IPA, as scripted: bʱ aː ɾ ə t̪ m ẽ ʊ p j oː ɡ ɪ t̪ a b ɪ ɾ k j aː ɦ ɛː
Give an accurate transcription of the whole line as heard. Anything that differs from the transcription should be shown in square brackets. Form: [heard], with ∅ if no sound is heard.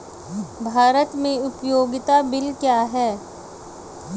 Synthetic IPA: bʱ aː ɾ ə t̪ m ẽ ʊ p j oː ɡ ɪ t̪ a b ɪ [l] k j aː ɦ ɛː

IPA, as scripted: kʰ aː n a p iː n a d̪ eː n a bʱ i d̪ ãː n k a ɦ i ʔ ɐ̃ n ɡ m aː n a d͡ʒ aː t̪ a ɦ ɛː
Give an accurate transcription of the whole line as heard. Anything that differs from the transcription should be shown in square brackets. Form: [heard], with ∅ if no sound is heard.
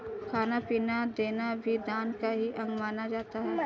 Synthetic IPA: kʰ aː n a p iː n a d̪ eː n a bʱ i d̪ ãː n k a ɦ i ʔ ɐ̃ [ŋ] ɡ m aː n a d͡ʒ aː t̪ a ɦ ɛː

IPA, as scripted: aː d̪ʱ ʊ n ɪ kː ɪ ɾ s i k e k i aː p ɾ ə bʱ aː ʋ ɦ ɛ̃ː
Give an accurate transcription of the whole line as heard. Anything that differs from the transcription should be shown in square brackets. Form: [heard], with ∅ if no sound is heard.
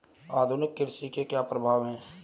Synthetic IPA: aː d̪ʱ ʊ n ɪ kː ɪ ɾ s i k e k [j] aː p ɾ ə bʱ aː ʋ ɦ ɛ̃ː

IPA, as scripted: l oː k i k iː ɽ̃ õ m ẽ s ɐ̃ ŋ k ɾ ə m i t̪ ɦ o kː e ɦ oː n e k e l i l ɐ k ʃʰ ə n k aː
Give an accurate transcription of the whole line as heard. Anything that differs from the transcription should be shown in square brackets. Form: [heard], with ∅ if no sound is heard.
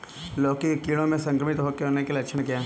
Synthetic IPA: l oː k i k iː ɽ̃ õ m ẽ s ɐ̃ ŋ k ɾ ə m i t̪ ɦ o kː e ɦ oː n e k e l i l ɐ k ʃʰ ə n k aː

